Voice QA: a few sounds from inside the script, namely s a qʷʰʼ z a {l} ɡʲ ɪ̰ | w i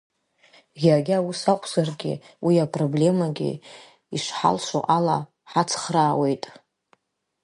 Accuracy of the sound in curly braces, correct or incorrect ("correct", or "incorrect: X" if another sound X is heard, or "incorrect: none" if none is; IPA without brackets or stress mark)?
incorrect: r